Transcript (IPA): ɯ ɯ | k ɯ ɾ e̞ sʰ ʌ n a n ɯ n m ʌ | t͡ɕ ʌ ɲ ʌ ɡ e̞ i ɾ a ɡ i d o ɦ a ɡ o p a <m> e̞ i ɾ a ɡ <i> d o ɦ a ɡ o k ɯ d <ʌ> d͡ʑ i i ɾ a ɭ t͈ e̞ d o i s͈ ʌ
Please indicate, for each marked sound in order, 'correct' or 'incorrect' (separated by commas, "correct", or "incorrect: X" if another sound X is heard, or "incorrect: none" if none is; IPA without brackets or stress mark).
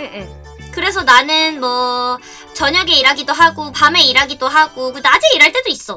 correct, correct, incorrect: a